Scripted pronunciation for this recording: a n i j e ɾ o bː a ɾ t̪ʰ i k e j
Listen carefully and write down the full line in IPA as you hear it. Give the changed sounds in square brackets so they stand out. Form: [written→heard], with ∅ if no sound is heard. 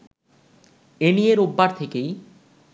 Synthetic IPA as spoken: [a→e] n i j e ɾ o bː a ɾ t̪ʰ [i→e] k e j